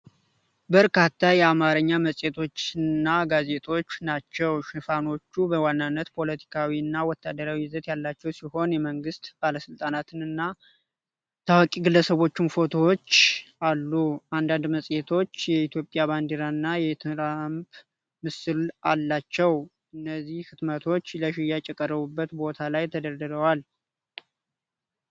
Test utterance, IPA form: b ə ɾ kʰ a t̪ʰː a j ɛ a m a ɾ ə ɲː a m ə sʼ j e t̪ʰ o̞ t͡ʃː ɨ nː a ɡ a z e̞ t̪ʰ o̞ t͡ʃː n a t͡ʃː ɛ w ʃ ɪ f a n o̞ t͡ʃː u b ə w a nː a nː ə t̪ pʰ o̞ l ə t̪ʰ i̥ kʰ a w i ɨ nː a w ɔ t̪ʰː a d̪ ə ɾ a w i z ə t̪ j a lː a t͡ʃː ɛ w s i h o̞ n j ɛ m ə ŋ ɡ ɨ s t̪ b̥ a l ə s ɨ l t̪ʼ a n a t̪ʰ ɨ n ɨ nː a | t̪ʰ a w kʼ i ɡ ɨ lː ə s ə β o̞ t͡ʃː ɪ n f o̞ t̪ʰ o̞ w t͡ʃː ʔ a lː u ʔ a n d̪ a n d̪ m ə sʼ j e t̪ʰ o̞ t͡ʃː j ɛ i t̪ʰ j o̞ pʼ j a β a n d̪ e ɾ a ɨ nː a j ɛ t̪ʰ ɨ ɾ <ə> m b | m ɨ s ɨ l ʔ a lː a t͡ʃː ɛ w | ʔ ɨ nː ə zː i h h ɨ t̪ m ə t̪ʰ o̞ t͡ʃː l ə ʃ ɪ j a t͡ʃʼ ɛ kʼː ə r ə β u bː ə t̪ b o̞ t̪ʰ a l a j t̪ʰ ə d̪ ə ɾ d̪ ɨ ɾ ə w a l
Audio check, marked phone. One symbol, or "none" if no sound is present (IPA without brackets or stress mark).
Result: a